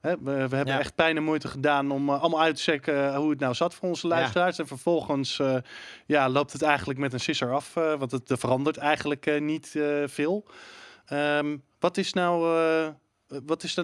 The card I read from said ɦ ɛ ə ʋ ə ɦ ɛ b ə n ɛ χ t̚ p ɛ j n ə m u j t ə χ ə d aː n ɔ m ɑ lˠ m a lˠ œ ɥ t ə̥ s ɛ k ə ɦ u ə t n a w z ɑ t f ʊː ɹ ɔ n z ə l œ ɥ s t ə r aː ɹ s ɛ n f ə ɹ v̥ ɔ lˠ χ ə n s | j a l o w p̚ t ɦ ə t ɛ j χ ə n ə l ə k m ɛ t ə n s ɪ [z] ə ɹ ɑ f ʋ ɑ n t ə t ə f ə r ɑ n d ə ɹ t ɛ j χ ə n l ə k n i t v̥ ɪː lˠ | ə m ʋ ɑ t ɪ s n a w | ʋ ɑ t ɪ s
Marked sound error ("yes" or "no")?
yes